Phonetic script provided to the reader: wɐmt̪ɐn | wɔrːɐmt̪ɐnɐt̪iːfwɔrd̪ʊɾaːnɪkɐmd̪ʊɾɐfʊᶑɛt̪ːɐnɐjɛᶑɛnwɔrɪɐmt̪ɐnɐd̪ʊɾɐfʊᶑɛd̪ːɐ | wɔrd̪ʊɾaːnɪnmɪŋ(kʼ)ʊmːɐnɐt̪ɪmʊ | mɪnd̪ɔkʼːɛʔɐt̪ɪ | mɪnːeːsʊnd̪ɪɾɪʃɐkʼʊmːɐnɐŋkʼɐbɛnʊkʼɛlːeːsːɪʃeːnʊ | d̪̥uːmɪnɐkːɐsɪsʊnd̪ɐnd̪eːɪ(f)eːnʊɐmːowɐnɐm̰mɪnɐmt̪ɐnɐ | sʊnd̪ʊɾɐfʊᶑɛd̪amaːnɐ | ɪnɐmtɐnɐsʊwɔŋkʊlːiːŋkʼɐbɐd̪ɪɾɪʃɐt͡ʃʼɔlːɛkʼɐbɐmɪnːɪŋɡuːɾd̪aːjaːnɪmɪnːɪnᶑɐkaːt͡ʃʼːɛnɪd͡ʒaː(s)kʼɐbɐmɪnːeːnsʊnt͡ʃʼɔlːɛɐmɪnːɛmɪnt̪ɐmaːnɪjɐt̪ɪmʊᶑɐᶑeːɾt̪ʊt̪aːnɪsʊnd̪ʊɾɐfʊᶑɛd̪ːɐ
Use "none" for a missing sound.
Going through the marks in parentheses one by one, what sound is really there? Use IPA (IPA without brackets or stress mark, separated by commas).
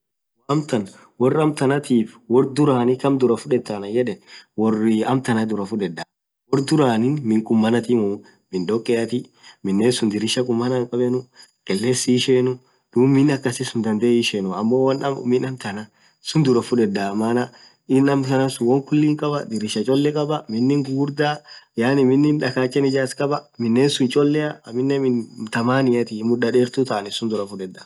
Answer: kʼ, ʃ, s